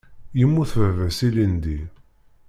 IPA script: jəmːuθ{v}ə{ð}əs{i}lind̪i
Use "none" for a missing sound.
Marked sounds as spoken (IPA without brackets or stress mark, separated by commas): v, v, i